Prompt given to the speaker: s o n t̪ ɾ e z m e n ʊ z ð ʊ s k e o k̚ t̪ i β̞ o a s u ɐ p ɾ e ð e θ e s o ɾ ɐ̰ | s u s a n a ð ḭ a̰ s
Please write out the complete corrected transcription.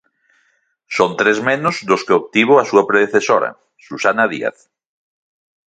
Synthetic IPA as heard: s o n t̪ ɾ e z m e n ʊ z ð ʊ s k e o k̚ t̪ i β̞ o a s u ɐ p ɾ e ð e θ e s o ɾ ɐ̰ | s u s a n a ð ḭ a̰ θ